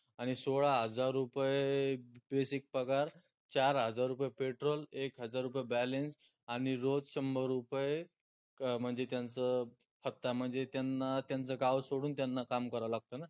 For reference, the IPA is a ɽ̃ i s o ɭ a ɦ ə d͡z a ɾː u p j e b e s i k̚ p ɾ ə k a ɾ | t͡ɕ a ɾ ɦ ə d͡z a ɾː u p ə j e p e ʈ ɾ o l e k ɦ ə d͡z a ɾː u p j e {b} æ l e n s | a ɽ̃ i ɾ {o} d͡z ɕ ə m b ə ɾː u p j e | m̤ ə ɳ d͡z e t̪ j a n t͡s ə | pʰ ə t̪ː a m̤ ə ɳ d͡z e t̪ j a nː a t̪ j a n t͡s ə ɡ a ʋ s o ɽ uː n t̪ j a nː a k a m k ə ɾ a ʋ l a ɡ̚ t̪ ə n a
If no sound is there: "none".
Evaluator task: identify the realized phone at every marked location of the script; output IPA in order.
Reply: b, o

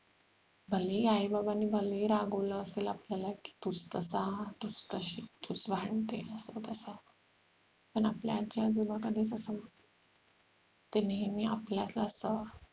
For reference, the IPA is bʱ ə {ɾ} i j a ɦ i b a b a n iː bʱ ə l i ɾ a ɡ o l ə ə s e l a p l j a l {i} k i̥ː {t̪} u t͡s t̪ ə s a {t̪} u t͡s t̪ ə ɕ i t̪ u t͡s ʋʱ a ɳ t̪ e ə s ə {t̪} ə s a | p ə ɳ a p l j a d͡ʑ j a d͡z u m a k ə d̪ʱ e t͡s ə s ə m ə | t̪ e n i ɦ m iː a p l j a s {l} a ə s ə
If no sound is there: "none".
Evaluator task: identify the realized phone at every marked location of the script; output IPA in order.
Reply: l, a, t̪, t̪, t̪, l

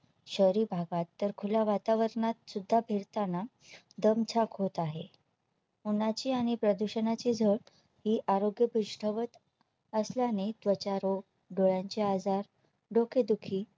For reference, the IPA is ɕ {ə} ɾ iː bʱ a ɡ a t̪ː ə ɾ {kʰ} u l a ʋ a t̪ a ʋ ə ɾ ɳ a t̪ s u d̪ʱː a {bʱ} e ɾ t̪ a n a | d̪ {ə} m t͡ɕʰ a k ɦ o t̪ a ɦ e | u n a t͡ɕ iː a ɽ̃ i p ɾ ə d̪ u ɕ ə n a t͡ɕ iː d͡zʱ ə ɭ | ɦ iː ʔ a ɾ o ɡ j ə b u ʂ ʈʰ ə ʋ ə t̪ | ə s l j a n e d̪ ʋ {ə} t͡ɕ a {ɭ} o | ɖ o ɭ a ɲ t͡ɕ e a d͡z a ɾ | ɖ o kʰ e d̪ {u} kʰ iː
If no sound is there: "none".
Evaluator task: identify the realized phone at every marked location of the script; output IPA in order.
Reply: ə, kʰ, bʱ, ə, ə, ɾ, u

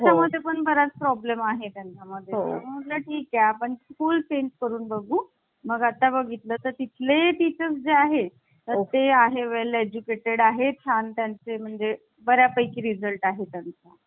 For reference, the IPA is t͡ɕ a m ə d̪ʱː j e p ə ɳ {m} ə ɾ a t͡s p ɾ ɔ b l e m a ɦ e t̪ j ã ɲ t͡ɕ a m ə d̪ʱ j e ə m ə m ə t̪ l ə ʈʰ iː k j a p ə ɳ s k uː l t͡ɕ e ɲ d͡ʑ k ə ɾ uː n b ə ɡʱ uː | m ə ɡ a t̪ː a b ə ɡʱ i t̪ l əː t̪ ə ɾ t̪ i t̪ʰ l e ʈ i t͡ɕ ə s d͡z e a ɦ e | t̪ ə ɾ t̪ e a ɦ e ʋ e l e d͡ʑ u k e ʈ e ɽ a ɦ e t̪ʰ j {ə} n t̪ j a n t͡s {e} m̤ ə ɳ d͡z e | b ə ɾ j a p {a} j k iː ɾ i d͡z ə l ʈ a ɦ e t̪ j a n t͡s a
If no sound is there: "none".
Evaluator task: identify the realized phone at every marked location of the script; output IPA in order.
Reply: b, a, e, ə

